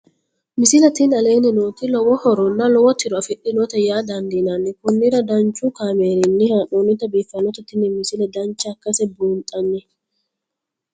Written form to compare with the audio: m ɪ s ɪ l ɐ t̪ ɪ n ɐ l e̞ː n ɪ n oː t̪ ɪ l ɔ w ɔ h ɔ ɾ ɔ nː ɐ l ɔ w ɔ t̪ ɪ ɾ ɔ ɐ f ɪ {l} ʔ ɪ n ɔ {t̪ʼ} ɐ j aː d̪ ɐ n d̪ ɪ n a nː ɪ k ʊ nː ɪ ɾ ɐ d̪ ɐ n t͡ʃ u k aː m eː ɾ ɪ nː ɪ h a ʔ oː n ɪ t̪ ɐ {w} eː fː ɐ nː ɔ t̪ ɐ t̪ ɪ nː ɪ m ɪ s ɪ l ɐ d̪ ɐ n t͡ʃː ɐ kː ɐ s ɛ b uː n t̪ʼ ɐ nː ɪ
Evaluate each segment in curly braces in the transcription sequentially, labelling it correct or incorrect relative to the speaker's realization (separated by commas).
incorrect, incorrect, incorrect